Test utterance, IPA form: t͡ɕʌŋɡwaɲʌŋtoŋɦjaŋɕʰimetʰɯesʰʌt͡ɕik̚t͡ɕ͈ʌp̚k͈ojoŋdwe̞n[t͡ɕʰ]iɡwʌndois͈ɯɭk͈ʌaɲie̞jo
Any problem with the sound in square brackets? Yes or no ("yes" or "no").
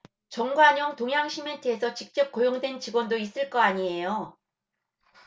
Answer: yes